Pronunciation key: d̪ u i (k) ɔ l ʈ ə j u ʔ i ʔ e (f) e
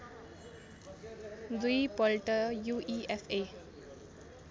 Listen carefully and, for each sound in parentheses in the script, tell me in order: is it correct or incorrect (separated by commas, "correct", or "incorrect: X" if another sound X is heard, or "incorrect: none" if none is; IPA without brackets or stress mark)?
incorrect: p, correct